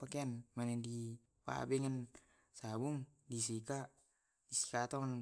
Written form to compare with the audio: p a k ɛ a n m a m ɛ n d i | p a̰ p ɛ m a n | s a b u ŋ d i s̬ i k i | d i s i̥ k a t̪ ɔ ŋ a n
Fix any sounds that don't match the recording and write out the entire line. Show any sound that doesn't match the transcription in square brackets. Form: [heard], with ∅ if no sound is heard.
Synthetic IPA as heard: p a k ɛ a n m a [n] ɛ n d i | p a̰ [b] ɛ [ŋ] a n | s a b u ŋ d i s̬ i k [a] | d i s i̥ k a t̪ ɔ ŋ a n